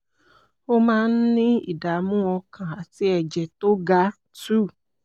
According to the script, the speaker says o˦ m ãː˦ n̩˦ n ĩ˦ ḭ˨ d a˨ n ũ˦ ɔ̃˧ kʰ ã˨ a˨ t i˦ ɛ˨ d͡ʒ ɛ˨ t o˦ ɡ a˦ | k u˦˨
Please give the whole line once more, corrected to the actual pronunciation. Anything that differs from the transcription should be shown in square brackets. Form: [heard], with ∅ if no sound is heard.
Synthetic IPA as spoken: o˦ m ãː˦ n̩˦ n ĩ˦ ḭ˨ d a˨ [m] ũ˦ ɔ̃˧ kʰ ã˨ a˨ t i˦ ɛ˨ d͡ʒ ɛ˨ t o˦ ɡ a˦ | [t] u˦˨

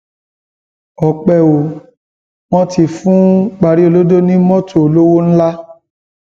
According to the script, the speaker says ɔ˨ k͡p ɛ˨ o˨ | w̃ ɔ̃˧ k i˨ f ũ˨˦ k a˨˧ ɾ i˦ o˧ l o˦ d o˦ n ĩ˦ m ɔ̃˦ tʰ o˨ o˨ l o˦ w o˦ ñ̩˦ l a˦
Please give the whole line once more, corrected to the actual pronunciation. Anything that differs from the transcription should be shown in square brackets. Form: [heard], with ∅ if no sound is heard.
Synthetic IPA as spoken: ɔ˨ k͡p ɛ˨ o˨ | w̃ ɔ̃˧ [t] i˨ f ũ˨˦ [k͡p] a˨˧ ɾ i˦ o˧ l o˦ d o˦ n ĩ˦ m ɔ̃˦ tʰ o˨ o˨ l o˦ w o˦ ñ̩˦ l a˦

